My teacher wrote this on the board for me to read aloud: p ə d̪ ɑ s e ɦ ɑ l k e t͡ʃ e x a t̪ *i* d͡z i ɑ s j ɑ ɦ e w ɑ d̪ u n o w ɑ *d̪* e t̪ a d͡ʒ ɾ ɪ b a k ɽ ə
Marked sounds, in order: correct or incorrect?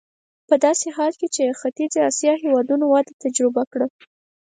correct, correct

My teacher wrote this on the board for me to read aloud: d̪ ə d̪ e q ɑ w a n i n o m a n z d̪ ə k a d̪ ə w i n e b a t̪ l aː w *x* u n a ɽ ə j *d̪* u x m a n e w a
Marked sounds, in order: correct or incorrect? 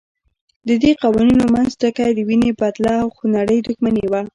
correct, correct

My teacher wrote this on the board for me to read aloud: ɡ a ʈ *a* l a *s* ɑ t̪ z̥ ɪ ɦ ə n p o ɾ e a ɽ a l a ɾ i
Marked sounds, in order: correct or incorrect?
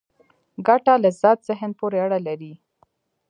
correct, incorrect

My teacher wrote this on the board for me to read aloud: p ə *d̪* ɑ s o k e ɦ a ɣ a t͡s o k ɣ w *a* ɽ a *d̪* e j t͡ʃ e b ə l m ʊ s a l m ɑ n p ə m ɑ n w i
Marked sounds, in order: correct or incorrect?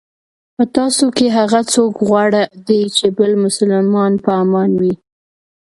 incorrect, incorrect, correct

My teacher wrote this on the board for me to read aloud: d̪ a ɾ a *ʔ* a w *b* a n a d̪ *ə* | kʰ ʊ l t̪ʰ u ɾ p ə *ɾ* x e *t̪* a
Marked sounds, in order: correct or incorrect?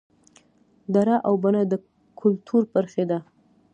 correct, correct, correct, correct, incorrect

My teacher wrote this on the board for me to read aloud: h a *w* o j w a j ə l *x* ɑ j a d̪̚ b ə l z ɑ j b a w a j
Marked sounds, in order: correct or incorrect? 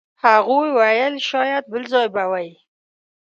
incorrect, incorrect

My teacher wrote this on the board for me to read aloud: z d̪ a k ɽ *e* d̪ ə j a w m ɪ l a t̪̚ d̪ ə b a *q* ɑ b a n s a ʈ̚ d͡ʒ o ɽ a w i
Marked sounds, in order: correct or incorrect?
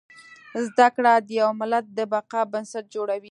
incorrect, correct

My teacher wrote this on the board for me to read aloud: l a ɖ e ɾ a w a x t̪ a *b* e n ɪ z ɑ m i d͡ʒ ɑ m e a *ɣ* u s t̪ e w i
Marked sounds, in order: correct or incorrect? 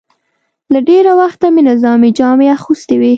incorrect, incorrect

